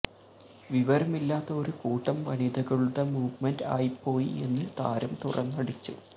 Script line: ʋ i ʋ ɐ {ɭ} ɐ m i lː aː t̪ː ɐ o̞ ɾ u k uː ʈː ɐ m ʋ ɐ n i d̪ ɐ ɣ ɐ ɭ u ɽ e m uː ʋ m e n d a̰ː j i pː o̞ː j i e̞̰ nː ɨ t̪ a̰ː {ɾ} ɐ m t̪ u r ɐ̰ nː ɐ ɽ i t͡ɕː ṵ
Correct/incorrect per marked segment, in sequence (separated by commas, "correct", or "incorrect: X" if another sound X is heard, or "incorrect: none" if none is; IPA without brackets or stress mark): incorrect: ɾ, correct